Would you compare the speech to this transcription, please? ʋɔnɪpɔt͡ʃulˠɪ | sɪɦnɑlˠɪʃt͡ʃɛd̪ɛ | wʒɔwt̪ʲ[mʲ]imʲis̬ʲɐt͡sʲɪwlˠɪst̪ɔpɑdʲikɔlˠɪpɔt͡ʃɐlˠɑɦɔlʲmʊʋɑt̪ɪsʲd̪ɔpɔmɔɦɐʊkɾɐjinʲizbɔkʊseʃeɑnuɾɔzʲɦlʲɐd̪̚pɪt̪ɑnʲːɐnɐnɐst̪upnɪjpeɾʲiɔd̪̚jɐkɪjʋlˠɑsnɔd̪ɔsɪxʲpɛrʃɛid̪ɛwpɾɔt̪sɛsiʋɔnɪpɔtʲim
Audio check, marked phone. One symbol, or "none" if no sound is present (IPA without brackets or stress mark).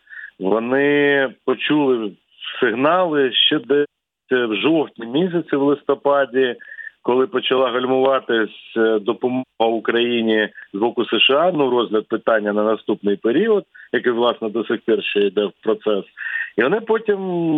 nʲ